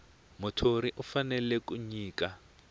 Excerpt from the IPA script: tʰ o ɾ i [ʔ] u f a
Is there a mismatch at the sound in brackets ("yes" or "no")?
no